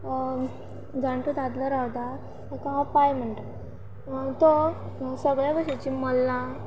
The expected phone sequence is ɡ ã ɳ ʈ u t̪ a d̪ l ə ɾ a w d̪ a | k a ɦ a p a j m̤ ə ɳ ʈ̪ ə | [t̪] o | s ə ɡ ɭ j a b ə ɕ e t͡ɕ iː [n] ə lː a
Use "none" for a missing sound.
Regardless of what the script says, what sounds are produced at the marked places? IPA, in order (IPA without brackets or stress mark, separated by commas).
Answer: t̪, m